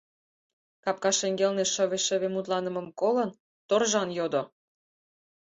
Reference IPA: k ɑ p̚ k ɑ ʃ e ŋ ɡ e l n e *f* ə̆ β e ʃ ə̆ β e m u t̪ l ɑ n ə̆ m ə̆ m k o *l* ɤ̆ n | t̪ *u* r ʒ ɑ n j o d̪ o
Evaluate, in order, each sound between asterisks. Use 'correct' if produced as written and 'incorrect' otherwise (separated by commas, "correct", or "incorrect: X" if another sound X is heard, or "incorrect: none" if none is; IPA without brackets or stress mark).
incorrect: ʃ, correct, incorrect: o